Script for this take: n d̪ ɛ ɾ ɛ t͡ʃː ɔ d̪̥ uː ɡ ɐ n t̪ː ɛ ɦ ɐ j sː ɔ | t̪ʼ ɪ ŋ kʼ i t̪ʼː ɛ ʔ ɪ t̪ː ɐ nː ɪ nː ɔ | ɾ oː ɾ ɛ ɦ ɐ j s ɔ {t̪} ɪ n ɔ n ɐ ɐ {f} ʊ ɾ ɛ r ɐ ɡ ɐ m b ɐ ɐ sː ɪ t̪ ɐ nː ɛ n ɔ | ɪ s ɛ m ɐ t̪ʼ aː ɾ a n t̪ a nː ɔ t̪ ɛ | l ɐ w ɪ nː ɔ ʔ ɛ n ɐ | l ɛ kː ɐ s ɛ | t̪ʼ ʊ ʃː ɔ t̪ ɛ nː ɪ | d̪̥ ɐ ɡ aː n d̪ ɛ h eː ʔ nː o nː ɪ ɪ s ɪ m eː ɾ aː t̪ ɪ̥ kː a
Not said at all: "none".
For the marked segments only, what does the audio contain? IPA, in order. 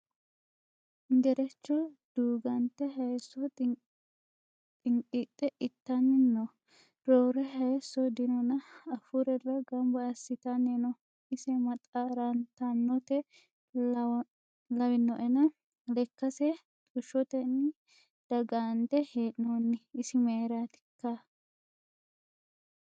d̪, f

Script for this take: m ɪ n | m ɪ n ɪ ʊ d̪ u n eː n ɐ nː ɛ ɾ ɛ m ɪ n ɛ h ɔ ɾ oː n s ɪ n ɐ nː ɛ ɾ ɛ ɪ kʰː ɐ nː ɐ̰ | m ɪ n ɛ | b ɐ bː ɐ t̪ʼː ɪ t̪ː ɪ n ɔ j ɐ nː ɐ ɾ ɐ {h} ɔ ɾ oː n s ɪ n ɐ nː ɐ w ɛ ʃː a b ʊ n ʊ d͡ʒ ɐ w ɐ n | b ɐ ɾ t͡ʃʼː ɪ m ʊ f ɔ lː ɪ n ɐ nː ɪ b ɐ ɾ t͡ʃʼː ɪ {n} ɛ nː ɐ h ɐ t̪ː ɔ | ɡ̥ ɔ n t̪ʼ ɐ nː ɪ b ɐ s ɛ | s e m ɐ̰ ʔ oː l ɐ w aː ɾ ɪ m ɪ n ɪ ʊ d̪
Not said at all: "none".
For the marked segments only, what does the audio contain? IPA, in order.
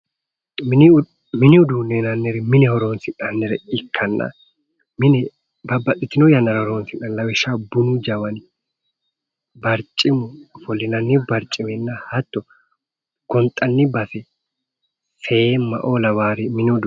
h, m

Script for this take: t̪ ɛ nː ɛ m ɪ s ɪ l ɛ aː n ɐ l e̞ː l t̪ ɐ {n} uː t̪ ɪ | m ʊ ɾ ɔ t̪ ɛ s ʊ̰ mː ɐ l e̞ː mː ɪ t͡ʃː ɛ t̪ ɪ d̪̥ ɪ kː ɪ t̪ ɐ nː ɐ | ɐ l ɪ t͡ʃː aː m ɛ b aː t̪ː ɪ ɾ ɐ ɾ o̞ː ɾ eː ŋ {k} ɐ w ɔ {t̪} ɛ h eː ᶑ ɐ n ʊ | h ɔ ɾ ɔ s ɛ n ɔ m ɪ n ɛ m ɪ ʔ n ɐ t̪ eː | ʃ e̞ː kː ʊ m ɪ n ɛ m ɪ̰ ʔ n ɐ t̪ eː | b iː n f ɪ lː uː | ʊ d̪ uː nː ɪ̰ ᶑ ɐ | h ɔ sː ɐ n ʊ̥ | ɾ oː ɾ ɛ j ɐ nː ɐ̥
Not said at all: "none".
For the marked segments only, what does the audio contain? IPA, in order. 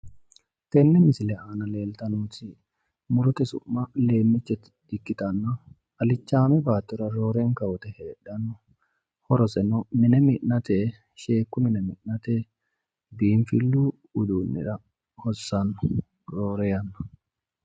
n, k, t̪

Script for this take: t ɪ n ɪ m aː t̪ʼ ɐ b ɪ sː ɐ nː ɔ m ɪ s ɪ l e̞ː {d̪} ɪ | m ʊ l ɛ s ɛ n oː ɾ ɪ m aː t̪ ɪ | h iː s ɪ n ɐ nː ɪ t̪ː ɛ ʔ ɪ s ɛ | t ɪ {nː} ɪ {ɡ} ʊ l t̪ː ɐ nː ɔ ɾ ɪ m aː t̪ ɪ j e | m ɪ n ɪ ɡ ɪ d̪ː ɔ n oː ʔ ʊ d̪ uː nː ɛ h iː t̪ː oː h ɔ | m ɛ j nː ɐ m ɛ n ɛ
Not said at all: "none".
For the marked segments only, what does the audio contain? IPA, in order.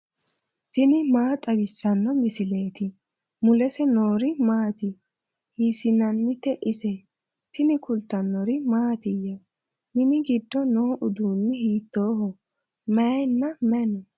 t̪, n, k

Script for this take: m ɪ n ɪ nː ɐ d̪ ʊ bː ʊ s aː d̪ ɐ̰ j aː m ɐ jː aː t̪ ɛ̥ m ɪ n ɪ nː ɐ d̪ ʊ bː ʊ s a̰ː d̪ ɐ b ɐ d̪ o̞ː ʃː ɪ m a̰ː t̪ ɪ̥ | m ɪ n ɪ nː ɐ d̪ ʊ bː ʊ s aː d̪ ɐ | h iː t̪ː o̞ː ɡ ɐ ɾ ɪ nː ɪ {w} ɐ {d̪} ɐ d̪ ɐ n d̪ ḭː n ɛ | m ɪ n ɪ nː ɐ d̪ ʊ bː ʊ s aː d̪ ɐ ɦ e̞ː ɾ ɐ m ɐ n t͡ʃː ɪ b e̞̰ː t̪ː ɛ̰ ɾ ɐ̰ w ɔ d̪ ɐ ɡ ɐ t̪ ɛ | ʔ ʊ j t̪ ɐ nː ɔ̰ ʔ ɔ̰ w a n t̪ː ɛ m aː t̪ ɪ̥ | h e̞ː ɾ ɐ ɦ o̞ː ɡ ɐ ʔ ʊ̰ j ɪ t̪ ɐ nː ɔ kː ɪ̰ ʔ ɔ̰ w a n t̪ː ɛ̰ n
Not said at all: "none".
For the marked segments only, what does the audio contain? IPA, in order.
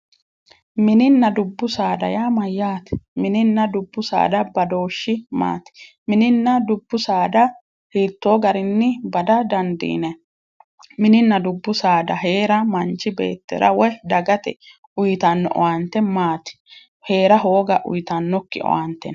b, d̪

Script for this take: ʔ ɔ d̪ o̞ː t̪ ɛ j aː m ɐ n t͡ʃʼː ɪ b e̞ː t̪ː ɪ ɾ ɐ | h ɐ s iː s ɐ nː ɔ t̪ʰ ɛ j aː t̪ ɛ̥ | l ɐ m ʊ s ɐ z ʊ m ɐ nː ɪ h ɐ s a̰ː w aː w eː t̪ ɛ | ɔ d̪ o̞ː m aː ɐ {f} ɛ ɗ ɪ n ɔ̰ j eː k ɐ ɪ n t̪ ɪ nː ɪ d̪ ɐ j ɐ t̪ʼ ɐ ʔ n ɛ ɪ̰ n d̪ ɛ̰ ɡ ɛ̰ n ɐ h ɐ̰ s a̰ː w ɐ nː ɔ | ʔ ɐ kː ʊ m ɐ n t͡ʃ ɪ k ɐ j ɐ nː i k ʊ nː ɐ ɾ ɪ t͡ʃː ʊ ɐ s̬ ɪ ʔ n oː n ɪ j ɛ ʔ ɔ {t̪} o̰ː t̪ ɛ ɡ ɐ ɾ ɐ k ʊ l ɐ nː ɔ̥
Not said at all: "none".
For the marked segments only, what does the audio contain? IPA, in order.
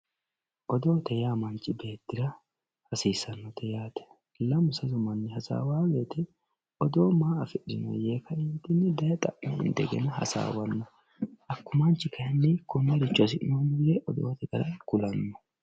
f, d̪

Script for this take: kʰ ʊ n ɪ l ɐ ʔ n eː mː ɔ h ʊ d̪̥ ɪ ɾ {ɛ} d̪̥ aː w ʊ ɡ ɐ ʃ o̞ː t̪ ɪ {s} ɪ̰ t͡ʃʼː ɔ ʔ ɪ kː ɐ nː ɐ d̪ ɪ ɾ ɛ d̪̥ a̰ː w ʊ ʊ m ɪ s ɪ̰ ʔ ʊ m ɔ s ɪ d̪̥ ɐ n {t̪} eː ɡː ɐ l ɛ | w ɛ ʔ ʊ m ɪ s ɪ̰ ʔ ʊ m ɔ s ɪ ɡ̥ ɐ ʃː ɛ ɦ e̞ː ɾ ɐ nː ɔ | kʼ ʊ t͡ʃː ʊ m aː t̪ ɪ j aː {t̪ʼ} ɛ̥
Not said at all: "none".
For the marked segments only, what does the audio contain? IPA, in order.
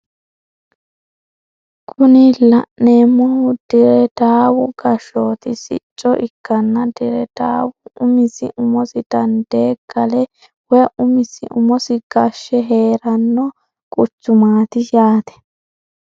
ɛ, s, d̪, t̪

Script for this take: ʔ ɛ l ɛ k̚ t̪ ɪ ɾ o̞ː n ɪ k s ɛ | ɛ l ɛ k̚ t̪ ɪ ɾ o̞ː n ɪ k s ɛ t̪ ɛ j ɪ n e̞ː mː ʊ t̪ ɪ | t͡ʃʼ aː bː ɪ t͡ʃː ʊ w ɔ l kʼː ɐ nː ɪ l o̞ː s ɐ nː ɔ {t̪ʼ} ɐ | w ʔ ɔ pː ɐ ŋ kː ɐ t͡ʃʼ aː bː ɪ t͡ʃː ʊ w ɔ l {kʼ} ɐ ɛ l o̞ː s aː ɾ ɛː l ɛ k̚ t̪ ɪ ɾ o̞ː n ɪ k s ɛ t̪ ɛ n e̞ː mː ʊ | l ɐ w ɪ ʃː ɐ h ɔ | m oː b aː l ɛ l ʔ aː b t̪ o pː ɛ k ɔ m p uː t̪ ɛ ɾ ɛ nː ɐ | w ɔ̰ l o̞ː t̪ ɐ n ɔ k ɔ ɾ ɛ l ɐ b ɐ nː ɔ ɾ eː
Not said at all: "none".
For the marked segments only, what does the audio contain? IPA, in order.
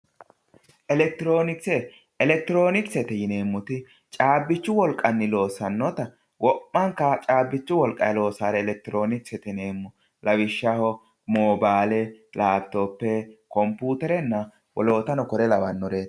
t̪, kʼ

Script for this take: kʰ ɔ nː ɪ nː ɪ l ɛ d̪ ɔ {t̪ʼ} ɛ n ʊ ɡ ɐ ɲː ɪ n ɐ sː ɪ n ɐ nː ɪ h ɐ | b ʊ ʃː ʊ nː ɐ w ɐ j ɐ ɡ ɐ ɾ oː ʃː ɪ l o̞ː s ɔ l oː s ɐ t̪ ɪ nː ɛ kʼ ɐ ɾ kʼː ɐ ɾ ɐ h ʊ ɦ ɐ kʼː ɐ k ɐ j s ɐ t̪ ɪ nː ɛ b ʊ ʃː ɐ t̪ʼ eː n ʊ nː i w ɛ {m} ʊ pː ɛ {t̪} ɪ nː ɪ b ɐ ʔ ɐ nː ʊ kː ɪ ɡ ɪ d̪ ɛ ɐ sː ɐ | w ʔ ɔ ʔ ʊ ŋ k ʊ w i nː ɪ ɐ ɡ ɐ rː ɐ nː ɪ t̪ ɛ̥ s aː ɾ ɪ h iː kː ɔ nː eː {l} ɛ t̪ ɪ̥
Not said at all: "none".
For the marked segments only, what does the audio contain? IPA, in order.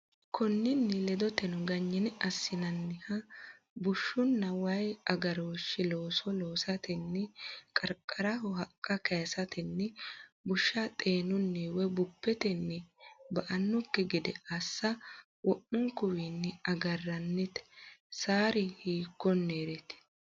t̪, b, t̪, ɾ

